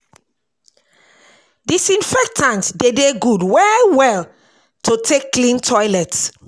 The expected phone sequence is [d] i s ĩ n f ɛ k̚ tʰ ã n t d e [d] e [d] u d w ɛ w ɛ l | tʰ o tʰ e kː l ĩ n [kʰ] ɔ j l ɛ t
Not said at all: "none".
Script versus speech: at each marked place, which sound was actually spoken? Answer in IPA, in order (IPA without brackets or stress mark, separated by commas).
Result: d, d, ɡ, tʰ